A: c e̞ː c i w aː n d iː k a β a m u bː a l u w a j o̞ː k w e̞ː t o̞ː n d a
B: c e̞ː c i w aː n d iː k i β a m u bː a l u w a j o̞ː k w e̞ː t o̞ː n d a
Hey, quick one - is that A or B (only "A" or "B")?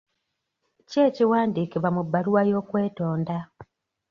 B